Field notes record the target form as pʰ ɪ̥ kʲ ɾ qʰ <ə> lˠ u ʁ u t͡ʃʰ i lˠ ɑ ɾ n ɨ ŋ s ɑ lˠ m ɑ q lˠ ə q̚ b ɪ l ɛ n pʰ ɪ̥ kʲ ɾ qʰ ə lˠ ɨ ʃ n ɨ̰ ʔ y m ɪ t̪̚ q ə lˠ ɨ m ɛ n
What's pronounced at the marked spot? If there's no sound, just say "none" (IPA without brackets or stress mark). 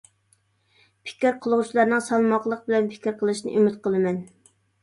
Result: ə